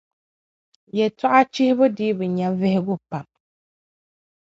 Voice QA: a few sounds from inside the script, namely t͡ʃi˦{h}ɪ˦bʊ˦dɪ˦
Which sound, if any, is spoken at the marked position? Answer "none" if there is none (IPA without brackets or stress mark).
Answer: h